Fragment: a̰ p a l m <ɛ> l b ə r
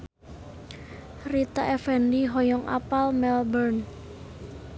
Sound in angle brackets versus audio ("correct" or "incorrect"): correct